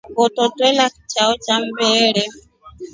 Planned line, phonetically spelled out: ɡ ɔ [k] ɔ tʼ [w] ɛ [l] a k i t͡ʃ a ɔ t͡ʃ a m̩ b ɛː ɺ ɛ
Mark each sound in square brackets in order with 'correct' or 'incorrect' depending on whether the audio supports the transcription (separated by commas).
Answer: incorrect, correct, correct